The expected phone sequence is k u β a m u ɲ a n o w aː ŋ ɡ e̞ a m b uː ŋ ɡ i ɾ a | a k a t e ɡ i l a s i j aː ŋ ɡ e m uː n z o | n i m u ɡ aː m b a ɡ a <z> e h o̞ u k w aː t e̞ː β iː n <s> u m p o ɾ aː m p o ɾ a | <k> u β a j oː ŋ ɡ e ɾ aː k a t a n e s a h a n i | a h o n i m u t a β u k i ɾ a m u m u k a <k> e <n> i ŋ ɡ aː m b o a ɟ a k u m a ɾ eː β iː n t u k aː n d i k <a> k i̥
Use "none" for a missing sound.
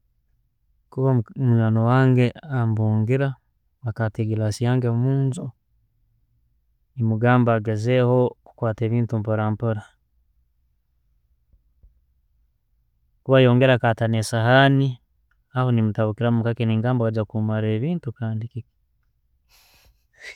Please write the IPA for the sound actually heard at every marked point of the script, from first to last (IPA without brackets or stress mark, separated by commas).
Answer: z, t, k, k, n, i